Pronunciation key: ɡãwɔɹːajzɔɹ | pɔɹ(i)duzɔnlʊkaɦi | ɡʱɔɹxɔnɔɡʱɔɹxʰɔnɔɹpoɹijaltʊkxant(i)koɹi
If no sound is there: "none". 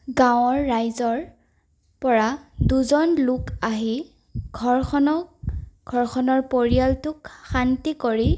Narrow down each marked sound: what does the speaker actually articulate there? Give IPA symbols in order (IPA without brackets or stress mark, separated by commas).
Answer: a, i